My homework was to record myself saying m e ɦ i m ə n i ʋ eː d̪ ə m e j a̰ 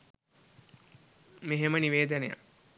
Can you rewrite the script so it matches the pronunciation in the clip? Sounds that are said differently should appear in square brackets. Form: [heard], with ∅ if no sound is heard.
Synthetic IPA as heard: m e ɦ [e] m ə n i ʋ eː d̪ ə [n] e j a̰